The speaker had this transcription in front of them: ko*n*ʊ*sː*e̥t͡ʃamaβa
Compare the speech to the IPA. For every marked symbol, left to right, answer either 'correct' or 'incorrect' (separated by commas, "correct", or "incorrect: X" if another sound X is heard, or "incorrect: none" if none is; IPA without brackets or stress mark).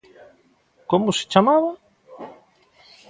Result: incorrect: m, incorrect: s